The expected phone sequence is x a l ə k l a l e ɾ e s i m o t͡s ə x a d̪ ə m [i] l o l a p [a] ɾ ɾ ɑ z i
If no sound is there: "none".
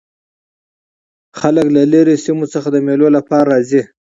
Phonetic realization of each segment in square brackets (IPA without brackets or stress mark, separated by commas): e, ɑ